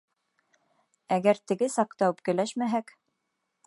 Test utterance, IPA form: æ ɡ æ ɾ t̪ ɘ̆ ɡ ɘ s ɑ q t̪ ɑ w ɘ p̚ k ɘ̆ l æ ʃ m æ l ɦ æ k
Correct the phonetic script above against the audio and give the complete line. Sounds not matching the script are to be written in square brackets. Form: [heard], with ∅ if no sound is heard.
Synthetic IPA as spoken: æ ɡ æ ɾ t̪ ɘ̆ ɡ ɘ s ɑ q t̪ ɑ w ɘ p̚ k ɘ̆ l æ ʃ m æ [∅] ɦ æ k